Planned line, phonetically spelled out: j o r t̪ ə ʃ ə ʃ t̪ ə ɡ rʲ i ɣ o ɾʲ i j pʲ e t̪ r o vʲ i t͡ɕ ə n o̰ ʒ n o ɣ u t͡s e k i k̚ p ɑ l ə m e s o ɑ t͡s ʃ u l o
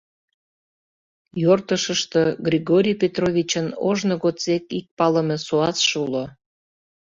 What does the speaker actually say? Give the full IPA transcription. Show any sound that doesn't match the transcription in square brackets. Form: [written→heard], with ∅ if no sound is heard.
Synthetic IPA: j o r t̪ ə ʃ ə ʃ t̪ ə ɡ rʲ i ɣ o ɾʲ i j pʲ e t̪ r o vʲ i t͡ɕ ə n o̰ ʒ n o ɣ [u→o] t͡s e k i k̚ p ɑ l ə m e s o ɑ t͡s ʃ u l o